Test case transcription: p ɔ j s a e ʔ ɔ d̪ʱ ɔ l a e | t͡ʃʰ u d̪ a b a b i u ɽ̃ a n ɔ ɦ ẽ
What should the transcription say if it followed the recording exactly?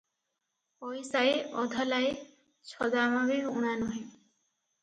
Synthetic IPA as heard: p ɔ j s a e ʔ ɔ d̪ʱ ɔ l a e | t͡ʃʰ ɔ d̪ a m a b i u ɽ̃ a n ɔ ɦ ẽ